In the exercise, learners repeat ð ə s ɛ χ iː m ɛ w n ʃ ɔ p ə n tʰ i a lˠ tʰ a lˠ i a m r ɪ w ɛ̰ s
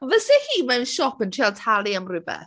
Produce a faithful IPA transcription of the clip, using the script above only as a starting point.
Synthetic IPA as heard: v ə s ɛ h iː m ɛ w n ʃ ɔ p ə n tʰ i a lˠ tʰ a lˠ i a m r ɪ b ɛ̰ θ